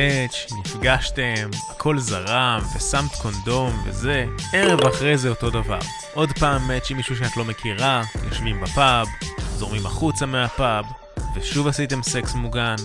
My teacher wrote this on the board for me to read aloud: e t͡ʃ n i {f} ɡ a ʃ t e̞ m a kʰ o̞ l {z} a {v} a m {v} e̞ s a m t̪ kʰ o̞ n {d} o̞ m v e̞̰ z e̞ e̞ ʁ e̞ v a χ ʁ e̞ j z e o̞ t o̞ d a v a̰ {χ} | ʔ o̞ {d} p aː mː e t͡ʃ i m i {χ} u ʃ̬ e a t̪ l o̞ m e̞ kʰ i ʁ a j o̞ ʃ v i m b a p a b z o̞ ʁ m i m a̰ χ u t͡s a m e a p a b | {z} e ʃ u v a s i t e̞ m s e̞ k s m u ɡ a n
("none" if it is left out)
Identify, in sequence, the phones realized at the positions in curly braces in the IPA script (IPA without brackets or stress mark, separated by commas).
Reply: f, z, ʁ, v, d, ʁ, d, ʃ, v